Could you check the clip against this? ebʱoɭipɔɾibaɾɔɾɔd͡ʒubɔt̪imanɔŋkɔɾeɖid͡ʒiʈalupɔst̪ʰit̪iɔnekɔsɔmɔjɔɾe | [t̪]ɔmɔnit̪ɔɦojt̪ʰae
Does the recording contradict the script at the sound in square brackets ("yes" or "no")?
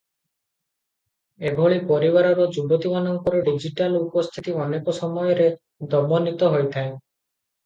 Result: yes